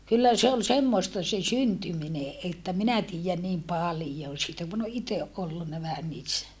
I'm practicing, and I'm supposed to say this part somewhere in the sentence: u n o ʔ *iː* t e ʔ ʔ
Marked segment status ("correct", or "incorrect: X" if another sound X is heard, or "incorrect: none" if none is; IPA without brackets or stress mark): incorrect: i